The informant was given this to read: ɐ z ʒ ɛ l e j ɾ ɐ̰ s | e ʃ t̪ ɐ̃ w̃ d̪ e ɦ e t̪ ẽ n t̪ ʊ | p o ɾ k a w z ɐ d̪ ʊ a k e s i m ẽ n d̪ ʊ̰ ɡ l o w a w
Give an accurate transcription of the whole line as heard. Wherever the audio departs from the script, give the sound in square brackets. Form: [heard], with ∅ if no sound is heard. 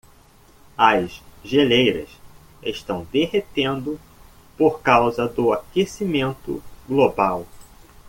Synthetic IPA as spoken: ɐ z ʒ [e] l e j ɾ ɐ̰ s | e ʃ t̪ ɐ̃ w̃ d̪ e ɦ e t̪ ẽ n [d̪] ʊ | p o ɾ k a w z ɐ d̪ ʊ a k e s i m ẽ n [t̪] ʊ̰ ɡ l o [b] a w

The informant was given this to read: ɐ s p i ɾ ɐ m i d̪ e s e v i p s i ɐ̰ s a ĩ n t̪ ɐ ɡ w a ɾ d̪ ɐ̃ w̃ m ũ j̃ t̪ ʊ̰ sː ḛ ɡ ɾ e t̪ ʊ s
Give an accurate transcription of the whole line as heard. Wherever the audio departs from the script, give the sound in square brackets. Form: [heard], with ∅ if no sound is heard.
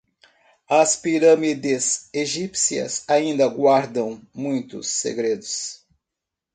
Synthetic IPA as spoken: ɐ s p i ɾ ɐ m i d̪ e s e [ʒ] i p s i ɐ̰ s a ĩ n [d̪] ɐ ɡ w a ɾ d̪ ɐ̃ w̃ m ũ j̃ t̪ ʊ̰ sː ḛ ɡ ɾ e [d̪] ʊ s

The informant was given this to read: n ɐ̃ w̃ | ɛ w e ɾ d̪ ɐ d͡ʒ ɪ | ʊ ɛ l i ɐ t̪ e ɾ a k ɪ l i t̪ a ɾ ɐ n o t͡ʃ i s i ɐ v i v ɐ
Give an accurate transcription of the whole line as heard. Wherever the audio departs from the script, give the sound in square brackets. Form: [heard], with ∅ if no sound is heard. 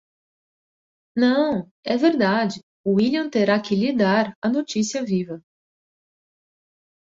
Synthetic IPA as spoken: n ɐ̃ w̃ | ɛ [v] e ɾ d̪ [a] d͡ʒ ɪ | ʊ [i] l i [ɐ̃] t̪ e ɾ a k ɪ l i [d̪] a ɾ ɐ n o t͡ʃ i s i ɐ v i v ɐ

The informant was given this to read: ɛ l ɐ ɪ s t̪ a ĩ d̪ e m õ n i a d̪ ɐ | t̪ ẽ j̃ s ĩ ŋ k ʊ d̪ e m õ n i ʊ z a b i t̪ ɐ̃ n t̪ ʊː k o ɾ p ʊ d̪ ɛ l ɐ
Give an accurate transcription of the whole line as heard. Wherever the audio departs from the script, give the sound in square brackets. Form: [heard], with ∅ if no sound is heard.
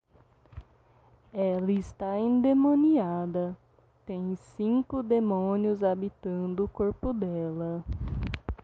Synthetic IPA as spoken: ɛ l ɐ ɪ s t̪ a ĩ d̪ e m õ n i a d̪ ɐ | t̪ ẽ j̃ s ĩ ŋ k ʊ d̪ e m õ n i ʊ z a b i t̪ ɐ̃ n [d̪] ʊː k o ɾ p ʊ d̪ ɛ l ɐ

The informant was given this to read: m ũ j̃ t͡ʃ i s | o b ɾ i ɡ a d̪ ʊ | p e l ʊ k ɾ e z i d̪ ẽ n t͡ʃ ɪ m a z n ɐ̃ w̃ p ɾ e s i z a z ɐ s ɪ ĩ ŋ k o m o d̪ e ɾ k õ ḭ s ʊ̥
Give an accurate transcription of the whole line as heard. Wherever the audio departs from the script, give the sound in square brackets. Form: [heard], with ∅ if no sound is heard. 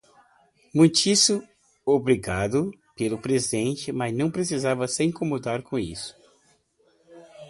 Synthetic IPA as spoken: m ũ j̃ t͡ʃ i s | o b ɾ i ɡ a d̪ ʊ | p e l ʊ [p] ɾ e z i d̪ ẽ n t͡ʃ ɪ m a z n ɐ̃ w̃ p ɾ e s i z a [v] ɐ s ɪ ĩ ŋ k o m o d̪ [a] ɾ k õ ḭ s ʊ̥

